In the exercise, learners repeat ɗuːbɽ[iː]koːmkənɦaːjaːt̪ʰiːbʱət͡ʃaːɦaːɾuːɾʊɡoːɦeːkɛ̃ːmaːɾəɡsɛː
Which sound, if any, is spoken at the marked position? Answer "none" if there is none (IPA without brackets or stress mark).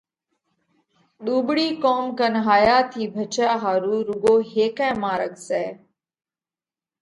iː